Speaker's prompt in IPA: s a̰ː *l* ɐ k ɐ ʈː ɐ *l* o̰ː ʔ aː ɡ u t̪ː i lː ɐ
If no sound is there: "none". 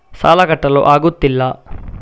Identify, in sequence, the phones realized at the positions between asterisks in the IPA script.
l, l

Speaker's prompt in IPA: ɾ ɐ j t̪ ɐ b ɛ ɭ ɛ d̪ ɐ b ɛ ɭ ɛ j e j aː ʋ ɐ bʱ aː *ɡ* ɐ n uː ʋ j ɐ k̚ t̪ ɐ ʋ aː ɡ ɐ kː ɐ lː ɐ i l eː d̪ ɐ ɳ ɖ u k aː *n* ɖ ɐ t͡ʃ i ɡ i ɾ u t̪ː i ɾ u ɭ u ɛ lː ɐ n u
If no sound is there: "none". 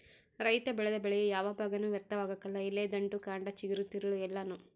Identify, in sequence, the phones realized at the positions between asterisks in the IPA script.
ɡ, ɳ

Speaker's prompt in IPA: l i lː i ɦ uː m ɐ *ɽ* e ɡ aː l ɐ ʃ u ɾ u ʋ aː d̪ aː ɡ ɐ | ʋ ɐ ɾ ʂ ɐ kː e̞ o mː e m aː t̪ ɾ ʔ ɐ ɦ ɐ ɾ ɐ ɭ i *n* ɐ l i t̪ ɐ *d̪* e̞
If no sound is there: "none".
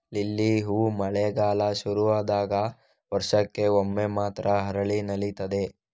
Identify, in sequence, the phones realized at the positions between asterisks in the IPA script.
ɭ, n, d̪

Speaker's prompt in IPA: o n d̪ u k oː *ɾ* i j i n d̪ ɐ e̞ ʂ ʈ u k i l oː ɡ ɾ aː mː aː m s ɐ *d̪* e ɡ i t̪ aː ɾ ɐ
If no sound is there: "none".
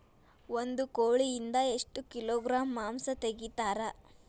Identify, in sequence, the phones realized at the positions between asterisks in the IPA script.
ɭ, t̪

